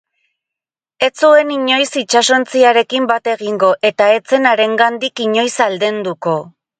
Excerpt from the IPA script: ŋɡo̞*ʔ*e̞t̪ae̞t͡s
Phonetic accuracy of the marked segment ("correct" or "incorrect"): correct